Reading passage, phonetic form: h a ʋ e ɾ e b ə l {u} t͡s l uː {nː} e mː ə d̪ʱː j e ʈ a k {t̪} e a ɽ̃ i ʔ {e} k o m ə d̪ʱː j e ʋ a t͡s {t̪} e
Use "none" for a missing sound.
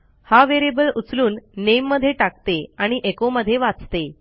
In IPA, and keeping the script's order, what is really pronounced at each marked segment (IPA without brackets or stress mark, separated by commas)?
u, nː, t̪, e, t̪